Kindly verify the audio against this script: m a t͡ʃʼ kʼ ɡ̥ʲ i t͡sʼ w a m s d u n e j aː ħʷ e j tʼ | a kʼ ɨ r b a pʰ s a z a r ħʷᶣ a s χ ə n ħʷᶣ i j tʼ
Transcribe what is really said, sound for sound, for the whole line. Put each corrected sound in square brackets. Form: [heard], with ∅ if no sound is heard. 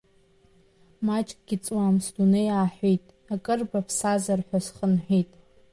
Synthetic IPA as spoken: m a t͡ʃʼ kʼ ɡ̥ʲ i t͡sʼ w a m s d u n e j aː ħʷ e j tʼ | a kʼ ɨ r b a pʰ s a z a r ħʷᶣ a s χ ə n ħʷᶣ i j tʼ